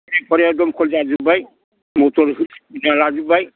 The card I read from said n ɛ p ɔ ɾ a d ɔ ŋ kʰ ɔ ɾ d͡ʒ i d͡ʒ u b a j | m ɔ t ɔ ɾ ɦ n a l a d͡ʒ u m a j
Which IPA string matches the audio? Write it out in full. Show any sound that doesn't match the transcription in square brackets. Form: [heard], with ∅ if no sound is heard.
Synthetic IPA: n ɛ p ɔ ɾ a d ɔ [m] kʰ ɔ [l] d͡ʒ [a] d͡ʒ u b a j | m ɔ t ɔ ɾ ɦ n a l a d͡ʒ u [b] a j